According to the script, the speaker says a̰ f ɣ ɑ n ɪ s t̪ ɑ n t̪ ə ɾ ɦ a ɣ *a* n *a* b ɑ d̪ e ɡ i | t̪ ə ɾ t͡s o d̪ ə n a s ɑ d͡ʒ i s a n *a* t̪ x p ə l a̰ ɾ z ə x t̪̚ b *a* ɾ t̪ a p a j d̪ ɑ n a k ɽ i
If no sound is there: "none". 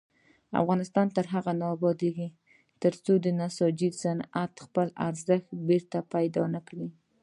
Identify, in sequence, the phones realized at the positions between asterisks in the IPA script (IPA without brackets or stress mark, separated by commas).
a, ɑ, a, e